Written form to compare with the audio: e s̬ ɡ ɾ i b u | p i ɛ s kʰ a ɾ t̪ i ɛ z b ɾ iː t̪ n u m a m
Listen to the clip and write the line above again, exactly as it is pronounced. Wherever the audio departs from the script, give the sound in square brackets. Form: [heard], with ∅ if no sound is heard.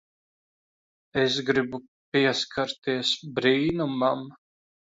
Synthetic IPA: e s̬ ɡ ɾ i b u | p i ɛ s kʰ a ɾ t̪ i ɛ [s] b ɾ iː [∅] n u m a m